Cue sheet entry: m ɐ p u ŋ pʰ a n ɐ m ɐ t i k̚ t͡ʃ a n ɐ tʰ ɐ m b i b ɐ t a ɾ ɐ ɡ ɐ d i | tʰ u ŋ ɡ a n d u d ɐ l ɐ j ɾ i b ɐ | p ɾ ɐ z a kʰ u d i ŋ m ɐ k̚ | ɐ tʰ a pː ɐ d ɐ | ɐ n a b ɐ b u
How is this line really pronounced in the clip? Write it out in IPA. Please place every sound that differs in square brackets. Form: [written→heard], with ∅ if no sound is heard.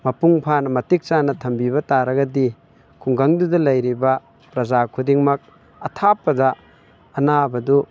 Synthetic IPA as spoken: m ɐ p u ŋ pʰ a n ɐ m ɐ t i k̚ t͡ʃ a n ɐ tʰ ɐ m b i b ɐ t a ɾ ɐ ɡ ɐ d i | [tʰ→kʰ] u ŋ ɡ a [n→ŋ] d u d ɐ l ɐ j ɾ i b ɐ | p ɾ ɐ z a kʰ u d i ŋ m ɐ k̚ | ɐ tʰ a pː ɐ d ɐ | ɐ n a b ɐ [b→d] u